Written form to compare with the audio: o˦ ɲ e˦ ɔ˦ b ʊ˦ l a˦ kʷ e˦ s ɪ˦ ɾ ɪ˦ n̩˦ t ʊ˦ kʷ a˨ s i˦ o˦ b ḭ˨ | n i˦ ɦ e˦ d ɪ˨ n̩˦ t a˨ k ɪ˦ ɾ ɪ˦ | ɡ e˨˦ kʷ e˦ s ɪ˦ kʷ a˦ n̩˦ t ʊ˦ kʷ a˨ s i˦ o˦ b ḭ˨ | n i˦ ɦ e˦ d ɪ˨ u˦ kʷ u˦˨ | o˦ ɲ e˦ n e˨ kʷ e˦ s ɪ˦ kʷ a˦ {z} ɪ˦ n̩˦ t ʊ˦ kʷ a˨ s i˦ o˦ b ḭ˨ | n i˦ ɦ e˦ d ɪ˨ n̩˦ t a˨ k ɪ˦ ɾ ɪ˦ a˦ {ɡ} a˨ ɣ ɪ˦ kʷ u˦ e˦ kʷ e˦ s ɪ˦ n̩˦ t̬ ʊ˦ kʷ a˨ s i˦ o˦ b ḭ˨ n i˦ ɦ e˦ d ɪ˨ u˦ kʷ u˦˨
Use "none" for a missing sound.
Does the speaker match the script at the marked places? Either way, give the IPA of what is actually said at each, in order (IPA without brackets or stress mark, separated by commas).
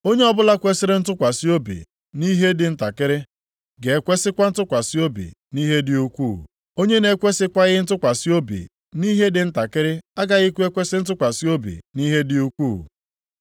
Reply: ɣ, ɡ